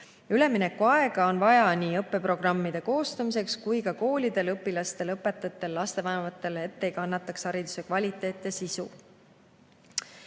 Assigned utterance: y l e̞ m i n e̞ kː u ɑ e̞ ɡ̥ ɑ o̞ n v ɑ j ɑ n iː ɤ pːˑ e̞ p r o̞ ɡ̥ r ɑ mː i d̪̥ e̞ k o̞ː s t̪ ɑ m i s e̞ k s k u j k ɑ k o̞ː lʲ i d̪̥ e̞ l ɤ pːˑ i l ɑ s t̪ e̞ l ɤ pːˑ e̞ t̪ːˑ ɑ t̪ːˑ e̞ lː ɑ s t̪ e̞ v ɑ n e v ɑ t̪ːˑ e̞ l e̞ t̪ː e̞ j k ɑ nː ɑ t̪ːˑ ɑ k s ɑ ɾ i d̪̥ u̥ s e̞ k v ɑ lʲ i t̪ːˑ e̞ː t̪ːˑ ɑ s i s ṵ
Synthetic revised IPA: y l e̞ m i n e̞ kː u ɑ e̞ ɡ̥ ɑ o̞ n v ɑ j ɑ n iː ɤ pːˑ e̞ p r o̞ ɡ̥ r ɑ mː i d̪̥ e̞ k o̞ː s t̪ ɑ m i s e̞ k s k u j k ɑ k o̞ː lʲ i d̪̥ e̞ l ɤ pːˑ i l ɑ s t̪ e̞ l ɤ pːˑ e̞ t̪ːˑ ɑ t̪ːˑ e̞ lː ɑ s t̪ e̞ v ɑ n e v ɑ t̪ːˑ e̞ l e̞ t̪ː e̞ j k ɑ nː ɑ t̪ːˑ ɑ k s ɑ ɾ i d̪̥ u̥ s e̞ k v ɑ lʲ i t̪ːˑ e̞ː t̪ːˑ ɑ s i s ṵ

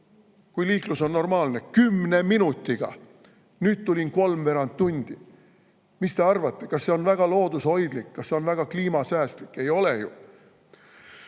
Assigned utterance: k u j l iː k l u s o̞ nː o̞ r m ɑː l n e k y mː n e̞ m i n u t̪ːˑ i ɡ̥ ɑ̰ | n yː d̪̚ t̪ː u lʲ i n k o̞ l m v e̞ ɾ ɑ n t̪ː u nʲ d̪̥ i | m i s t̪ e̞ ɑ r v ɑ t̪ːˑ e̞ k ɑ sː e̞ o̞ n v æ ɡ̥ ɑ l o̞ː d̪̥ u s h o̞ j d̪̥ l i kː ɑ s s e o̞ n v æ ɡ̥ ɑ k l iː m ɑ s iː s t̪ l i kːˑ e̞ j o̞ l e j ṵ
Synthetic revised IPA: k u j l iː k l u s o̞ nː o̞ r m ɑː l n e k y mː n e̞ m i n u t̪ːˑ i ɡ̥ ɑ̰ | n yː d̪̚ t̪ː u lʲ i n k o̞ l m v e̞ ɾ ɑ n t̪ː u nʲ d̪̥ i | m i s t̪ e̞ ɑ r v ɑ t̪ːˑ e̞ k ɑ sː e̞ o̞ n v æ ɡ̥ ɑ l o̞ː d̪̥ u s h o̞ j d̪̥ l i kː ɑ s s e o̞ n v æ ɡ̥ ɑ k l iː m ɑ s æː s t̪ l i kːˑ e̞ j o̞ l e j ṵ

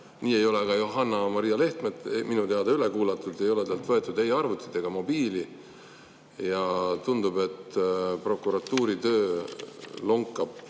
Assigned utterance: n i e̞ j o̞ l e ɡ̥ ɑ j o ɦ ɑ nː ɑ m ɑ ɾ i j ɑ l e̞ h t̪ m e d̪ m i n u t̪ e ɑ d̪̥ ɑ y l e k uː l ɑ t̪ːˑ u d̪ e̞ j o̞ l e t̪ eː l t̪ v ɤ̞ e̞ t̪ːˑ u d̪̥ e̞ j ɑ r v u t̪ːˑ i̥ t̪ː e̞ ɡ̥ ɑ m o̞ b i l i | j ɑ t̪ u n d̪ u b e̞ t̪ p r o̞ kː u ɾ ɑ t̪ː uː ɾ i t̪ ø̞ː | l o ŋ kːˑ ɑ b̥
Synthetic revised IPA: n iː e̞ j o̞ l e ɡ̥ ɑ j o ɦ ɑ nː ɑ m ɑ ɾ i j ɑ l e̞ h t̪ m e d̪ m i n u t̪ e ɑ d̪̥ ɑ y l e k uː l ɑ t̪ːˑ u d̪ e̞ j o̞ l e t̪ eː l t̪ v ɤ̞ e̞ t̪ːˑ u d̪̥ e̞ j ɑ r v u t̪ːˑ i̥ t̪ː e̞ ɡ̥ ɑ m o̞ b iː l i | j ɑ t̪ u n d̪ u b e̞ t̪ p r o̞ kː u ɾ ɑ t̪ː uː ɾ i t̪ ø̞ː | l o ŋ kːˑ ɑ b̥

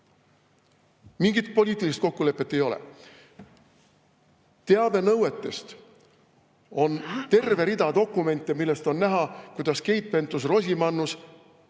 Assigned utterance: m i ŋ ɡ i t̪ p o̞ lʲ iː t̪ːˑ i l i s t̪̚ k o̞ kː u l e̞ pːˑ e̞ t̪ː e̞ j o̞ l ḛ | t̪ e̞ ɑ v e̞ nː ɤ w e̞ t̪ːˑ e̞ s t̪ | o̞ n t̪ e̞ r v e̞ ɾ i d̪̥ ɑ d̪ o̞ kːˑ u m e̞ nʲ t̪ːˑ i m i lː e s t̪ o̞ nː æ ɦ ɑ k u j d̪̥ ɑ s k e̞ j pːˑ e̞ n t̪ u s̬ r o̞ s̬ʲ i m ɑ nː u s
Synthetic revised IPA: m i ŋ ɡ i t̪ p o̞ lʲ iː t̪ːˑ i l i s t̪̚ k o̞ kː u l e̞ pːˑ e̞ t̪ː e̞ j o̞ l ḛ | t̪ e̞ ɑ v e̞ n ɤ w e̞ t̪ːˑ e̞ s t̪ | o̞ n t̪ e̞ r v e̞ ɾ i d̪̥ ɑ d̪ o̞ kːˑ u m e̞ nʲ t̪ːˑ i m i lː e s t̪ o̞ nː æ ɦ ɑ k u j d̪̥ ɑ s k e̞ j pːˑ e̞ n t̪ u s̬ r o̞ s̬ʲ i m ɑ nː u s

